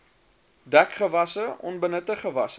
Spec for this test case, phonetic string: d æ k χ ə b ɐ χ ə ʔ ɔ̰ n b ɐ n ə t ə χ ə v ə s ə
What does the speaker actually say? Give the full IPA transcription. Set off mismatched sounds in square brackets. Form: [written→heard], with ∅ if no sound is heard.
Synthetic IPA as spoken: d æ k χ ə [b→v] ɐ [χ→s] ə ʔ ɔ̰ n b [ɐ→ə] n ə t ə χ ə v [ə→ɐ] s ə